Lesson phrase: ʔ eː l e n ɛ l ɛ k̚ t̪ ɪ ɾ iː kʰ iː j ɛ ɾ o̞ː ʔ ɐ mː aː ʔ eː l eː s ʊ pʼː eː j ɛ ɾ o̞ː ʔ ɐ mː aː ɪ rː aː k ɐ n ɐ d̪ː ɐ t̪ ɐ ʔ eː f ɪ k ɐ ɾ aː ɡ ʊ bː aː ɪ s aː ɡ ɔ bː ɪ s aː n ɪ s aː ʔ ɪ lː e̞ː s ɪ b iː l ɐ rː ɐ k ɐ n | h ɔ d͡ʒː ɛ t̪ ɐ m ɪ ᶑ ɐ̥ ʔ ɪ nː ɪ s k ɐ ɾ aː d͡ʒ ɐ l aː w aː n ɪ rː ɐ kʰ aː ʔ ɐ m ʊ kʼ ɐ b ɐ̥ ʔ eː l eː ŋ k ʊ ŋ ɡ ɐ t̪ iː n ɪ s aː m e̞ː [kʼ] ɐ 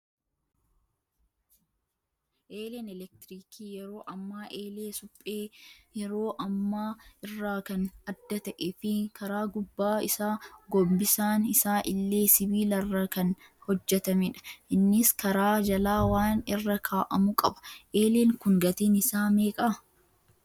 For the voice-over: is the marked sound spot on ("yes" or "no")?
yes